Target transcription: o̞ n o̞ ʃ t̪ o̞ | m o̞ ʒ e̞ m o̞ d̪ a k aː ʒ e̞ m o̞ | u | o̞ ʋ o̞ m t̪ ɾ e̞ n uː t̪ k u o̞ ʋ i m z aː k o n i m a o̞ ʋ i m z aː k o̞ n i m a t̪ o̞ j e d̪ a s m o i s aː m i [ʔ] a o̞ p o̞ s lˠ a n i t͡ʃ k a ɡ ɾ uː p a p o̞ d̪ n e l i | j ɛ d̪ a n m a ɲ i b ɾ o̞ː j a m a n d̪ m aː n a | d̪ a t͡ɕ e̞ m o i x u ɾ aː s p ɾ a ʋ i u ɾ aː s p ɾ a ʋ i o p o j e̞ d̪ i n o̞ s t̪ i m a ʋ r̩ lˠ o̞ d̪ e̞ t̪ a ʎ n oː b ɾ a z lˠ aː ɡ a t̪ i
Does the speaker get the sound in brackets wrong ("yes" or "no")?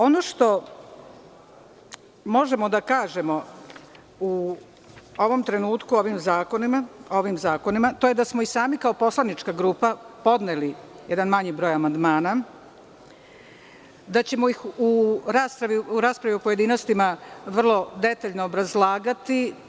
yes